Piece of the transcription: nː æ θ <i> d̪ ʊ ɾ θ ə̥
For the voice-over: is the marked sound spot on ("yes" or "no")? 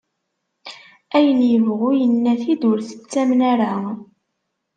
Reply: yes